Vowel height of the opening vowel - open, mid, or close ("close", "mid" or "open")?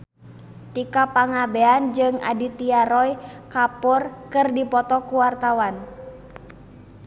close